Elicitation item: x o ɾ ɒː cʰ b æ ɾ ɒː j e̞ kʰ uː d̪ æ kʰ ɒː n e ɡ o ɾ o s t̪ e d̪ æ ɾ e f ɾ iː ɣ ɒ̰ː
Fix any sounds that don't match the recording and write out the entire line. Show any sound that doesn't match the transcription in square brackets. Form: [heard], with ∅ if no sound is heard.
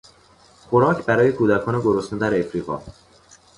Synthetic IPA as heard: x o ɾ ɒː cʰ b æ ɾ ɒː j e̞ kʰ uː d̪ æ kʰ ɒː n e ɡ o ɾ o s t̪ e d̪ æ ɾ e f ɾ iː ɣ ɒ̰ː